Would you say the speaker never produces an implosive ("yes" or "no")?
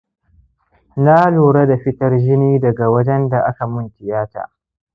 yes